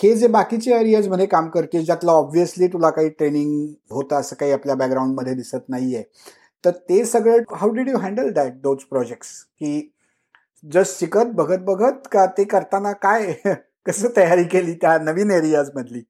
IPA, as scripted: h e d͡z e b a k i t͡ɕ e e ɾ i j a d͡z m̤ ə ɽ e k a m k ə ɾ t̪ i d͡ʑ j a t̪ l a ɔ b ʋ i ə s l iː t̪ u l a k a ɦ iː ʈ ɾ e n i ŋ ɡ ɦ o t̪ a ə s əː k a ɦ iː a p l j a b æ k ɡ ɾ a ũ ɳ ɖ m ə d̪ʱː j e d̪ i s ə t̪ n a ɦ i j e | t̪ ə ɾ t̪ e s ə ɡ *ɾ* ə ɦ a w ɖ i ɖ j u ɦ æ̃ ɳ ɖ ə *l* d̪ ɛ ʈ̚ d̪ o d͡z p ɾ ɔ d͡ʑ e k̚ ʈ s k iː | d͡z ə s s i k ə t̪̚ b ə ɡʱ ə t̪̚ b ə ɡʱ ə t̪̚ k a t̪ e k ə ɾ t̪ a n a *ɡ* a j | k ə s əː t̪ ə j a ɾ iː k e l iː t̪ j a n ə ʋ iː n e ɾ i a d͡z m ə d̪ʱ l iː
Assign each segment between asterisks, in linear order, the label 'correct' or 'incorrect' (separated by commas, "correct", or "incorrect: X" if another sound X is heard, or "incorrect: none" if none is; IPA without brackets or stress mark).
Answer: incorrect: ɭ, correct, incorrect: k